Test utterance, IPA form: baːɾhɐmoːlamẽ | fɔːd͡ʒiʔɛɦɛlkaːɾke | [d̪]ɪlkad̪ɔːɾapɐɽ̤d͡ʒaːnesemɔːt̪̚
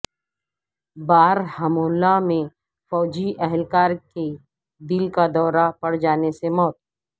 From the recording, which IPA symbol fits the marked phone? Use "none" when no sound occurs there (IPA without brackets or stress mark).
d̪